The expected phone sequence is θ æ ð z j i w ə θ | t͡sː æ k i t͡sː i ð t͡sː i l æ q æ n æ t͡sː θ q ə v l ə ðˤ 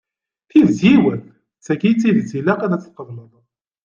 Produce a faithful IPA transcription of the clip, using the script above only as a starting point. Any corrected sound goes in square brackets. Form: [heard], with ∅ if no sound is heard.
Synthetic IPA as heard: θ [i] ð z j i w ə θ | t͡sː æ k i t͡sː i ð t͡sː i l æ q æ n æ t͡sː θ q ə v l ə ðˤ